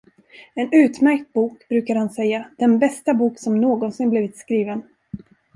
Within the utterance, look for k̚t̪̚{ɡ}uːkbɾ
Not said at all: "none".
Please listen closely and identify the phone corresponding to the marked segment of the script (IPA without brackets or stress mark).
b